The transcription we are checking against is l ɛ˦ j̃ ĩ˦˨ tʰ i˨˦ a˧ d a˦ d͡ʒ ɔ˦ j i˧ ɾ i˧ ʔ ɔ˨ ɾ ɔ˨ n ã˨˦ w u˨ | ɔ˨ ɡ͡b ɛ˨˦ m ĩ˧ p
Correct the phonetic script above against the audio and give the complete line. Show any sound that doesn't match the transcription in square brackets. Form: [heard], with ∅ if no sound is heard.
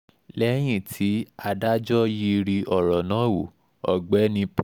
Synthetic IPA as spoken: l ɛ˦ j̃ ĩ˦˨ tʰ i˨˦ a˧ d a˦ d͡ʒ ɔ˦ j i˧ ɾ i˧ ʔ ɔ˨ ɾ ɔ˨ n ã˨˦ w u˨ | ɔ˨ ɡ͡b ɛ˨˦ [n] ĩ˧ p